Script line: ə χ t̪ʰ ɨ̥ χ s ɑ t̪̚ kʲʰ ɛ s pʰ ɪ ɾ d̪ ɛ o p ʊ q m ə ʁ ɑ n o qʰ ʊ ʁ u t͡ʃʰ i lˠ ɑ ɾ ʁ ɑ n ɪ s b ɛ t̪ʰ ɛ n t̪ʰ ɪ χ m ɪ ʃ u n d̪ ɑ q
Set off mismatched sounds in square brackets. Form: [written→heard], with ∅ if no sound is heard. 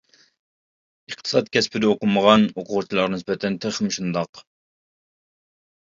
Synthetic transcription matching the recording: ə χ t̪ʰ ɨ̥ [χ→∅] s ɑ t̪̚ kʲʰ ɛ s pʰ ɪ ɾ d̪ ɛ o [p→q] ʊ [q→∅] m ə ʁ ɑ n o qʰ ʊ ʁ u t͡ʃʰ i lˠ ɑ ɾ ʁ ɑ n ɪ s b ɛ t̪ʰ ɛ n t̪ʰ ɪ χ m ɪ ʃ u n d̪ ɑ q

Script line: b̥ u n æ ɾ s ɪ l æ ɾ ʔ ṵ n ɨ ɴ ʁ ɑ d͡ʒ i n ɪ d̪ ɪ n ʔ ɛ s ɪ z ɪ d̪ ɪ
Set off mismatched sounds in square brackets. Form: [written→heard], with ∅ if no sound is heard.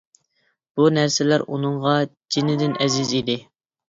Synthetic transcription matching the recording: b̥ u n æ ɾ s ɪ l æ ɾ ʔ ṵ n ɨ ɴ ʁ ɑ d͡ʒ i n ɪ d̪ ɪ n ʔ ɛ [s→z] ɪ z [ɪ→i] d̪ ɪ

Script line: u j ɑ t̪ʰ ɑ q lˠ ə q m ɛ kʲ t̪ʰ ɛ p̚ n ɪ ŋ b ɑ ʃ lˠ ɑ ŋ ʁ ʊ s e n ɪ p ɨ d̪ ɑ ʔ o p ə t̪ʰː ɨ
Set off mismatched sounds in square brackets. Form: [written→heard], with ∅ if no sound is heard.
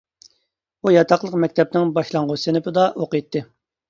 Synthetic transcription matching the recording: u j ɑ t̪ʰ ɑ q lˠ ə q m ɛ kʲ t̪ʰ ɛ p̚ n ɪ ŋ b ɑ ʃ lˠ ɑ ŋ ʁ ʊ s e n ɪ p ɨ d̪ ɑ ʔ o [p→q] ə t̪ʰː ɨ

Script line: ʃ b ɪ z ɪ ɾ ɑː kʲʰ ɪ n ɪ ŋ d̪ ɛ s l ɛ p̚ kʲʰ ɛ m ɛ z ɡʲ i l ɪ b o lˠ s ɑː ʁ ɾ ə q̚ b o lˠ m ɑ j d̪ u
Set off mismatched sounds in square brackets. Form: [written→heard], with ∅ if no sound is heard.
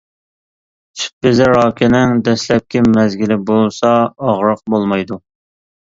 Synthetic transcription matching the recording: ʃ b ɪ z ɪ ɾ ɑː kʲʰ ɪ n ɪ ŋ d̪ ɛ s l ɛ p̚ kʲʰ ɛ m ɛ z ɡʲ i l ɪ b o lˠ s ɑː ʁ ɾ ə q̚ b o lˠ m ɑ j d̪ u

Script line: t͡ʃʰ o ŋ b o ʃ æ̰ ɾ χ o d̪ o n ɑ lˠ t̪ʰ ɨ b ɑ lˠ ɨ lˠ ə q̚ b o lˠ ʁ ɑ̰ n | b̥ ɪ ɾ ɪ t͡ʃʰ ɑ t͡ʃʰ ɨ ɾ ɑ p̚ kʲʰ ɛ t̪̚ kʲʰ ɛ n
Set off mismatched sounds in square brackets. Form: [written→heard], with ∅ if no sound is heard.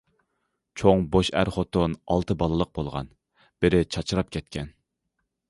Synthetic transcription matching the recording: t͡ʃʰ o ŋ b o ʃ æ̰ ɾ χ o [d̪→t̪] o n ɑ lˠ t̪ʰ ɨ b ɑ lˠ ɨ lˠ ə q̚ b o lˠ ʁ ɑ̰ n | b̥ ɪ ɾ ɪ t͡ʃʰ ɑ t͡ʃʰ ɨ ɾ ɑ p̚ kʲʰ ɛ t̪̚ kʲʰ ɛ n

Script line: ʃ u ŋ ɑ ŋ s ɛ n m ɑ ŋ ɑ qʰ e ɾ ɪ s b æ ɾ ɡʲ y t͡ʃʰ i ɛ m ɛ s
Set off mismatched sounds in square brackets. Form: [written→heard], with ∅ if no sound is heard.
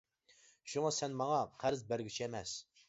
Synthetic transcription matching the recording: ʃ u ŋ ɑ [ŋ→∅] s ɛ n m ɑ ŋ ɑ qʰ [e→æ] ɾ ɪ [s→z] b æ ɾ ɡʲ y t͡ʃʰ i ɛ m ɛ s

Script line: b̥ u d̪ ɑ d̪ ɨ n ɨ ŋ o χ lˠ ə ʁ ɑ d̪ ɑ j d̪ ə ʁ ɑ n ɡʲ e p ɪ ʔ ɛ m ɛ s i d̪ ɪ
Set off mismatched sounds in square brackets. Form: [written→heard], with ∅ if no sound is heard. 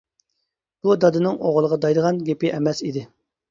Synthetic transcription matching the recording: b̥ u d̪ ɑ d̪ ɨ n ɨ ŋ o [χ→ʁ] lˠ ə ʁ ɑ d̪ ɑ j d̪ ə ʁ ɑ n ɡʲ e p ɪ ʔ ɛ m ɛ s i d̪ ɪ

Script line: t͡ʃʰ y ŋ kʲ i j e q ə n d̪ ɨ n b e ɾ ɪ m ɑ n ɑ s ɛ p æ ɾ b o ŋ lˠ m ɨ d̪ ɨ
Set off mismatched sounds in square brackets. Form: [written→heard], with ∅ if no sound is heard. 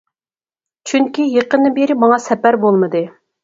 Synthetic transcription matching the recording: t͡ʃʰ y ŋ kʲ i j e q ə n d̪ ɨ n b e ɾ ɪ m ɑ [n→ŋ] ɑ s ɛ p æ ɾ b o [ŋ→∅] lˠ m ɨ d̪ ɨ

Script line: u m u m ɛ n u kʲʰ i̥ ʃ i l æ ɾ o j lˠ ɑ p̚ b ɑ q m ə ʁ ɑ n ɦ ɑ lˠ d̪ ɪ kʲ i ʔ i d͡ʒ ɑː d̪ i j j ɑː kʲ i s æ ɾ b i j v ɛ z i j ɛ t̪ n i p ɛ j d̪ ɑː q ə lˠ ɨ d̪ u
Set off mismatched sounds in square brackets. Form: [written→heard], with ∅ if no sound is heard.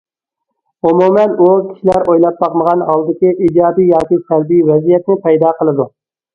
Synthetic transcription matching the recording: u m u m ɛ n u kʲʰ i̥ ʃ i l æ ɾ o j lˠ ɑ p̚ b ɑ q m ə ʁ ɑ n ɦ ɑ lˠ d̪ ɪ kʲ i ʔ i d͡ʒ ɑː d̪ i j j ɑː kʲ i s æ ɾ b i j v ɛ z i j ɛ t̪ n [i→ɪ] p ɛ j d̪ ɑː q ə lˠ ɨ d̪ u

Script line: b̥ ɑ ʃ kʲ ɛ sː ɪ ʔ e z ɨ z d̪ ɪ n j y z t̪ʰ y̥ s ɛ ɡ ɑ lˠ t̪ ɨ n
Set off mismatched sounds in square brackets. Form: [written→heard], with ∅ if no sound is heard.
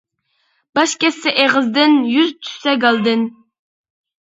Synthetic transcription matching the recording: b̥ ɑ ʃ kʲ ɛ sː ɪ ʔ e [z→ʁ] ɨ z d̪ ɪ n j y z t̪ʰ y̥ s ɛ ɡ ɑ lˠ [t̪→d̪] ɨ n

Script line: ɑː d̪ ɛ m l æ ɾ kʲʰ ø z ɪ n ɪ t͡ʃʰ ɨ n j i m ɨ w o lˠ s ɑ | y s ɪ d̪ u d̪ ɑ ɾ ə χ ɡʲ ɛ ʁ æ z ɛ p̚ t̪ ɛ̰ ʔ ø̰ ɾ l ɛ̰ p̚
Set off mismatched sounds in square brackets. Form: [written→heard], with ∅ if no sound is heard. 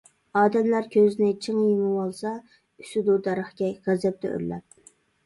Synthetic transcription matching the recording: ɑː d̪ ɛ m l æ ɾ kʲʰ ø z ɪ n ɪ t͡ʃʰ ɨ [n→ŋ] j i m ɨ w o lˠ s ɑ | y s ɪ d̪ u d̪ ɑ ɾ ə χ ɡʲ ɛ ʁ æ z ɛ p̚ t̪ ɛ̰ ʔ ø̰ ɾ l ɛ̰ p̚

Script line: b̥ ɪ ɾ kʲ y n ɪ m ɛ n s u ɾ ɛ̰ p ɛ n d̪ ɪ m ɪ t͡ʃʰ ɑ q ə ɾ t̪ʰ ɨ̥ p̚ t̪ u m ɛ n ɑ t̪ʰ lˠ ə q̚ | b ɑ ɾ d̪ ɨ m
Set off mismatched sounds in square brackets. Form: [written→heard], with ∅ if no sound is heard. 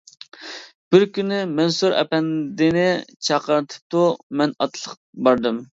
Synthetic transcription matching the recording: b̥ ɪ ɾ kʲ y n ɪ m ɛ n s u ɾ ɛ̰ p ɛ n d̪ ɪ [m→n] ɪ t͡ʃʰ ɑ q ə ɾ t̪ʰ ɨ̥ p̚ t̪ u m ɛ n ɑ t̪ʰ lˠ ə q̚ | b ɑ ɾ d̪ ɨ m

